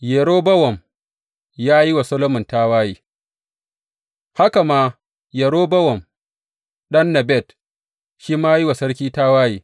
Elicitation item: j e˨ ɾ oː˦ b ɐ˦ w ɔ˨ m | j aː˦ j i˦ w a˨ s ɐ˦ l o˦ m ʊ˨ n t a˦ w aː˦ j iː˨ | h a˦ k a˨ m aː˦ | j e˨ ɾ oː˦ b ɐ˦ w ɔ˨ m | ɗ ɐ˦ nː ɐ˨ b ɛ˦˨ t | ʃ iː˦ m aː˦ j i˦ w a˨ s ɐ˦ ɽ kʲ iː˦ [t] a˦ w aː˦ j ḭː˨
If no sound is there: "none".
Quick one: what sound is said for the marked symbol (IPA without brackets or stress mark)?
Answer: t